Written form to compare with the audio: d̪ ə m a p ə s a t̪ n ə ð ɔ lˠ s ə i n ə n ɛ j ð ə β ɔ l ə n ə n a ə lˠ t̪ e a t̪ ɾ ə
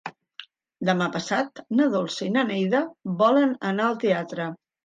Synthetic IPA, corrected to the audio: d̪ ə m a p ə s a t̪ n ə ð o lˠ s ə i n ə n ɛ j ð ə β ɔ l ə n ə n a ə lˠ t̪ e a t̪ ɾ ə